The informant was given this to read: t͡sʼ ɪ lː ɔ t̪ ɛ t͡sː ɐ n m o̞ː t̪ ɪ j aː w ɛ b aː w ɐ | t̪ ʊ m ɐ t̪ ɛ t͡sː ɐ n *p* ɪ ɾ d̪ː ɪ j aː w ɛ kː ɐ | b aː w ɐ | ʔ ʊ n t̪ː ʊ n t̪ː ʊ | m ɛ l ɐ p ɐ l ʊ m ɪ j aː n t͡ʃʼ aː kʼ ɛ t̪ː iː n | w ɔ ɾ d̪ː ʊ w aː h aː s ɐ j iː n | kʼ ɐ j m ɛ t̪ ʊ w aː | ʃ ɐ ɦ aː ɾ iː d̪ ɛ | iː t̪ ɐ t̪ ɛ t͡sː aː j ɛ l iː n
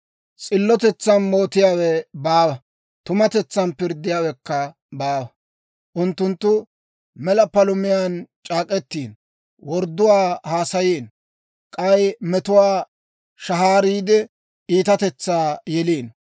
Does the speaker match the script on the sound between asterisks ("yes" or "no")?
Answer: yes